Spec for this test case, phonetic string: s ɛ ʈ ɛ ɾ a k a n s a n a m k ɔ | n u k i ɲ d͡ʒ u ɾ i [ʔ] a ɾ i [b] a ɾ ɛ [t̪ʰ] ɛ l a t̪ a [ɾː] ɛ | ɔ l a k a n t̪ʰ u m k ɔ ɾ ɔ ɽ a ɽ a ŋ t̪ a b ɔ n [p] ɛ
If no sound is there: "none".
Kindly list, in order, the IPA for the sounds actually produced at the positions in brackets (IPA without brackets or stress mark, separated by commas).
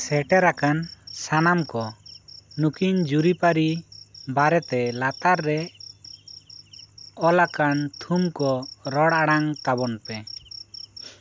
p, b, t̪, ɾː, p